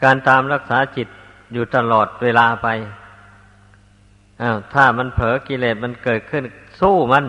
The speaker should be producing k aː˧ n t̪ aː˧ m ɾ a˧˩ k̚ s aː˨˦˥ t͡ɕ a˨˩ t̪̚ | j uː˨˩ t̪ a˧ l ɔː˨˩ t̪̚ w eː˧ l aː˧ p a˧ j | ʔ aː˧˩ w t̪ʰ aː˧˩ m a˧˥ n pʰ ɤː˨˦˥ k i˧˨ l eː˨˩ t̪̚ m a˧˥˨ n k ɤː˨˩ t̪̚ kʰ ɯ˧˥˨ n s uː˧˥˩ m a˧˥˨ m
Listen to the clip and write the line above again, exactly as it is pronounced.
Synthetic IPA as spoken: k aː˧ n t̪ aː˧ m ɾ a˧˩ k̚ s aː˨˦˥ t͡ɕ i˨˩ t̪̚ | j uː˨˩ t̪ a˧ l ɔː˨˩ t̪̚ w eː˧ l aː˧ p a˧ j | ʔ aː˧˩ w t̪ʰ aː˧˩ m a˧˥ n pʰ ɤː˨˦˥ k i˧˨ l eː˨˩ t̪̚ m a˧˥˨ n k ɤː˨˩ t̪̚ kʰ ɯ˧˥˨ n s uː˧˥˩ m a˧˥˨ n